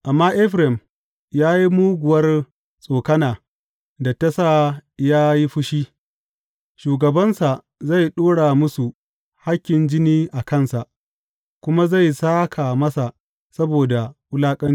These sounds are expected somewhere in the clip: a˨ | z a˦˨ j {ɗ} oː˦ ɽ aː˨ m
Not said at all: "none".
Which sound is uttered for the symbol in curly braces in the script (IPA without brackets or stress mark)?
ɗ